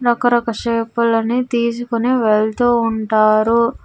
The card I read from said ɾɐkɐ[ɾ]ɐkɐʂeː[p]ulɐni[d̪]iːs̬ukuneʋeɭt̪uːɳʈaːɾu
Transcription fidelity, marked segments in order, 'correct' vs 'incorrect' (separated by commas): correct, correct, incorrect